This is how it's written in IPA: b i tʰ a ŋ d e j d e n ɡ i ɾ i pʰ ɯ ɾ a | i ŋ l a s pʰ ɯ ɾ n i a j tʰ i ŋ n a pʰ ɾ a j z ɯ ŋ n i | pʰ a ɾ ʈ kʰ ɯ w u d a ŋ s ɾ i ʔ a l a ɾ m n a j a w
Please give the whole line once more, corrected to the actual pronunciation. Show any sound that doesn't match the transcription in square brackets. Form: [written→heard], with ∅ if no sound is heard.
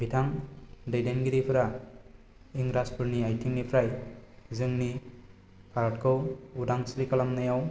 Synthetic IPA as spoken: b i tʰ a ŋ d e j d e n ɡ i ɾ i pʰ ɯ ɾ a | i ŋ [l→ɾ] a s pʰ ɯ ɾ n i a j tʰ i ŋ n [a→i] pʰ ɾ a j z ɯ ŋ n i | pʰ a ɾ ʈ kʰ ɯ w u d a ŋ s ɾ i [ʔ→k] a l a [ɾ→∅] m n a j a w

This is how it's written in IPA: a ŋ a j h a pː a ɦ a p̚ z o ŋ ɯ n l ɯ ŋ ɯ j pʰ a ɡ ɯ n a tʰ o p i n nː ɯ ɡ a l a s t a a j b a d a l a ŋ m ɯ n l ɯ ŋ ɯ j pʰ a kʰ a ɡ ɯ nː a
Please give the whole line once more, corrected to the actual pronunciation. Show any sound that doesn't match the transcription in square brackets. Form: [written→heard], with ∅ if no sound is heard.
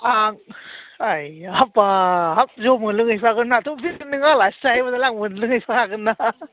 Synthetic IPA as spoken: a ŋ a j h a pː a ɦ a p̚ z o [ŋ→m] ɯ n l ɯ ŋ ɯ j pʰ a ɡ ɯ n a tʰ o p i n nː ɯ [ɡ→ŋ] a l a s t a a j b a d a l a ŋ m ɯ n l ɯ ŋ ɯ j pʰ a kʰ a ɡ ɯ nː a

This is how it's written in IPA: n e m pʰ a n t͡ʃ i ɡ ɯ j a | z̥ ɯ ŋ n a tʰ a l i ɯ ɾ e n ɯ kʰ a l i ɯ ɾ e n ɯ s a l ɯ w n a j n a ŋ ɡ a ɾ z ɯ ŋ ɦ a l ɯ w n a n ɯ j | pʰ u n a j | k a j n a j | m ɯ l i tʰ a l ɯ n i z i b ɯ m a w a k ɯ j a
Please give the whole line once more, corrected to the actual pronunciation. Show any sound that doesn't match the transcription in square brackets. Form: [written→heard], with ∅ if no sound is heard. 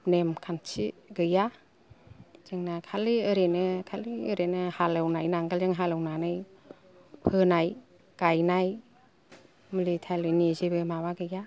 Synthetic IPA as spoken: n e m [pʰ→kʰ] a n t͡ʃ i ɡ ɯ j a | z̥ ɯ ŋ n a [tʰ→kʰ] a l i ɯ ɾ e n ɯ kʰ a l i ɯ ɾ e n ɯ [s→h] a l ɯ w n a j n a ŋ ɡ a [ɾ→l] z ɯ ŋ ɦ a l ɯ w n a n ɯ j | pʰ [u→ɯ] n a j | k a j n a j | m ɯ l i tʰ a l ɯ n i z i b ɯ m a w a [k→ɡ] ɯ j a

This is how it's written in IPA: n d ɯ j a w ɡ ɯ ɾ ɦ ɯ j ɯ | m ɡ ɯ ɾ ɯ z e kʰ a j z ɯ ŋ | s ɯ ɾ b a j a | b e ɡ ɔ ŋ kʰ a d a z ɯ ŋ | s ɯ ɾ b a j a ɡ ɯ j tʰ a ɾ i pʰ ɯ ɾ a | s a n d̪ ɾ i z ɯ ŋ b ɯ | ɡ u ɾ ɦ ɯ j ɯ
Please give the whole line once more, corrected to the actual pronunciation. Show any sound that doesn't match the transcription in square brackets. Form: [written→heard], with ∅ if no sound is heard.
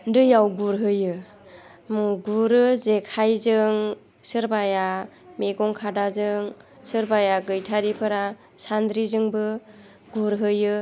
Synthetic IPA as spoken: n d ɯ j a w ɡ [ɯ→u] ɾ ɦ ɯ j ɯ | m ɡ [ɯ→u] ɾ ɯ z e kʰ a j z ɯ ŋ | s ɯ ɾ b a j a | [b→m] e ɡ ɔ ŋ kʰ a d a z ɯ ŋ | s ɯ ɾ b a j a ɡ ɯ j tʰ a ɾ i pʰ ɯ ɾ a | s a n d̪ ɾ i z ɯ ŋ b ɯ | ɡ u ɾ ɦ ɯ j ɯ

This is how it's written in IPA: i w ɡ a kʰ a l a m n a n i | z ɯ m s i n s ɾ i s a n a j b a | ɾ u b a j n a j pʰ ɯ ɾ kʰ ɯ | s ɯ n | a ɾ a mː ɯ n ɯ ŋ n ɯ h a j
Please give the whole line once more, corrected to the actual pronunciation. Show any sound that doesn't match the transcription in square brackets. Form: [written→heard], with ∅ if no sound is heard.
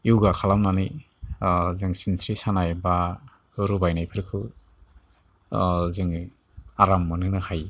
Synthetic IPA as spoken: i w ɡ a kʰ a l a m n a n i | z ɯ [m→ŋ] s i n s ɾ i s a n a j b a | ɾ u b a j n a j pʰ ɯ ɾ kʰ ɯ | [s→z] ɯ [n→ŋ] | a ɾ a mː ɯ n ɯ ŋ n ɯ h a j

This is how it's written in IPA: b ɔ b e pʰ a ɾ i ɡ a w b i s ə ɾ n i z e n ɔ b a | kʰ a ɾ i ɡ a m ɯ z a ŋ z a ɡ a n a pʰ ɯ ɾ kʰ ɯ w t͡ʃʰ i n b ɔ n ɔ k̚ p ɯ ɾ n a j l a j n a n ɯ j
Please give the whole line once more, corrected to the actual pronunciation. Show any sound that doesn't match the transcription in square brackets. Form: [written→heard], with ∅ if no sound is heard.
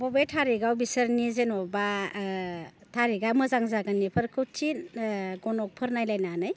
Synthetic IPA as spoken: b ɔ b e [pʰ→tʰ] a ɾ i ɡ a w b i s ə ɾ n i z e n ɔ b a | [kʰ→tʰ] a ɾ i ɡ a m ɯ z a ŋ z a ɡ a n [a→i] pʰ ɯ ɾ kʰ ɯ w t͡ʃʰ i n [b→ɡ] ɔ n ɔ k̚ [p→pʰ] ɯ ɾ n a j l a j n a n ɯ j

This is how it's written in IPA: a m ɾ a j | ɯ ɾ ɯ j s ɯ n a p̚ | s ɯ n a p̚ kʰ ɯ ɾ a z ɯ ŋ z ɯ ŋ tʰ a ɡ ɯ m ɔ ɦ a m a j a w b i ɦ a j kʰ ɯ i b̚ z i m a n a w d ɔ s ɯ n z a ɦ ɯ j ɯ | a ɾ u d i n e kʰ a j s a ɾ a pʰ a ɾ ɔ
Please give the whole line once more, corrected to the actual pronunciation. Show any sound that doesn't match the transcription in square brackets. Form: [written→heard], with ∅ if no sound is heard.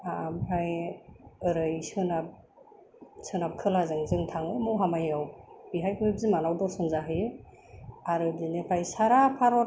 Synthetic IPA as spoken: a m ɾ a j | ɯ ɾ ɯ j s ɯ n a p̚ | s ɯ n a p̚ kʰ ɯ [ɾ→l] a z ɯ ŋ z ɯ ŋ tʰ a [ɡ→ŋ] ɯ m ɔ ɦ a m a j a w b i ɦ a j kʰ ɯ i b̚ z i m a n a w d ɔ s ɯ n z a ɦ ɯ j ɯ | a ɾ [u→ɯ] d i n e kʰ a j s a ɾ a pʰ a ɾ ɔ

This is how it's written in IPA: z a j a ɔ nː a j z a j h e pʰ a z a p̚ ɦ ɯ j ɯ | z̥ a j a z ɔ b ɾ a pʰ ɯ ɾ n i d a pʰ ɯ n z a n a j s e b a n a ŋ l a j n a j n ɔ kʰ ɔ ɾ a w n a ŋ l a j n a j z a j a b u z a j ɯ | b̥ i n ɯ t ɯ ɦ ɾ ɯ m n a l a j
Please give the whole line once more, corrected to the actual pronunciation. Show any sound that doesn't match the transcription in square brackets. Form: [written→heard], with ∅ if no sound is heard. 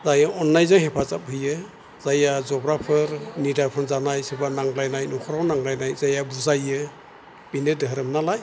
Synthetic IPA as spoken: z a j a ɔ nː a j z a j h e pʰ a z a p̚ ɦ ɯ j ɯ | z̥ a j a z ɔ b ɾ a pʰ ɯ ɾ n i d a pʰ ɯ n z a n a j s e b a n a ŋ l a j n a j n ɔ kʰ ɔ ɾ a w n a ŋ l a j n a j z a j a b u z a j ɯ | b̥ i n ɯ [t→d] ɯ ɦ ɾ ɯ m n a l a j

